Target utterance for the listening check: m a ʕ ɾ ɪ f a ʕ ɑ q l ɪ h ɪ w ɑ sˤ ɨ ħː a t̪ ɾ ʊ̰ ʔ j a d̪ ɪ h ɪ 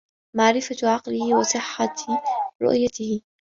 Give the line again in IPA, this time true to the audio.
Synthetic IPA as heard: m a ʕ ɾ ɪ f a ʕ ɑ q l ɪ h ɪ w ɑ sˤ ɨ ħː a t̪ ɾ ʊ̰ ʔ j a t̪ ɪ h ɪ